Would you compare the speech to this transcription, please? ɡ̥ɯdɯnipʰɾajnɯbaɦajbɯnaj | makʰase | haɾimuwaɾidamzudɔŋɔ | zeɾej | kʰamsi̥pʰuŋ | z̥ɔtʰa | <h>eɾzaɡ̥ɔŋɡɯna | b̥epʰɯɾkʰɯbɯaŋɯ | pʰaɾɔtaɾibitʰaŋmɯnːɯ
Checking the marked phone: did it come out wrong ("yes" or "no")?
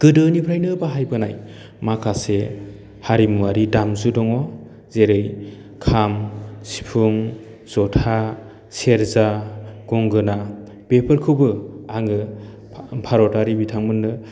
yes